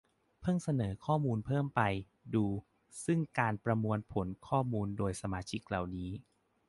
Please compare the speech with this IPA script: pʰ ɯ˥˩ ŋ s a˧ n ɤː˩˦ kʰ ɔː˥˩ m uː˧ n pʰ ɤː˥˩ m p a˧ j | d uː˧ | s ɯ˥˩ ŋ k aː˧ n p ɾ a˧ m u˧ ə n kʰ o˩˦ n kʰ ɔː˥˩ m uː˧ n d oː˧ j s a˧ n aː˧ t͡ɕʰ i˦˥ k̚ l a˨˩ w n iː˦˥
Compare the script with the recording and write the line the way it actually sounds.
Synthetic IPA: pʰ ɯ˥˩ ŋ s a˧ n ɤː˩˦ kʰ ɔː˥˩ m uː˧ n pʰ ɤː˥˩ m p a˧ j | d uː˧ | s ɯ˥˩ ŋ k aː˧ n p ɾ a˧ m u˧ ə n pʰ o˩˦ n kʰ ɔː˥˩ m uː˧ n d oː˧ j s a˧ m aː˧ t͡ɕʰ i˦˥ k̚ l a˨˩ w n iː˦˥